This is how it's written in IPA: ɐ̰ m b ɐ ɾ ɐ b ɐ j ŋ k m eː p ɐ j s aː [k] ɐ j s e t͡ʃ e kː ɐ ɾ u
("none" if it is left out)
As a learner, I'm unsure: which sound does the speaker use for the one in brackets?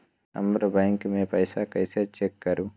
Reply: k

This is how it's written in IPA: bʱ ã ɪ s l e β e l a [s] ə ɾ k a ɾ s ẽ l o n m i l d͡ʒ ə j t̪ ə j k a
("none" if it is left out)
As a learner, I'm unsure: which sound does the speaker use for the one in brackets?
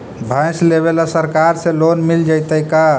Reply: s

